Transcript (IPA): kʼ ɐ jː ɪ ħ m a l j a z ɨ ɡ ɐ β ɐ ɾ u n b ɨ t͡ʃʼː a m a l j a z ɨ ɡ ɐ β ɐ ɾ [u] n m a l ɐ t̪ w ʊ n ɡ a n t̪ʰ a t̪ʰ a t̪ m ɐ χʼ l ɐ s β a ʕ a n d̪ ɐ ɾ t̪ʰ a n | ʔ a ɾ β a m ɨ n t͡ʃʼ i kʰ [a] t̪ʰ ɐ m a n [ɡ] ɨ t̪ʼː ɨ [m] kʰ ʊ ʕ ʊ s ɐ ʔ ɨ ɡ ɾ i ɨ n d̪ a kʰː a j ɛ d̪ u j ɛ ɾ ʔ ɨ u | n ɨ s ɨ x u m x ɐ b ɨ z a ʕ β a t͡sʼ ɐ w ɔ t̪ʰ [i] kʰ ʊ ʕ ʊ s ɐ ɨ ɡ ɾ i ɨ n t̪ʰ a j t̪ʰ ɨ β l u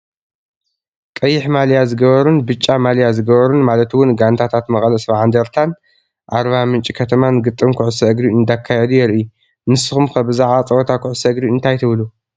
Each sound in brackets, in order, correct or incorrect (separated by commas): correct, incorrect, correct, correct, incorrect